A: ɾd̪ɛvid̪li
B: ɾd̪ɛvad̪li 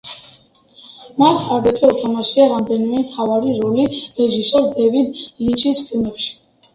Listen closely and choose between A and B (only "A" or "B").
A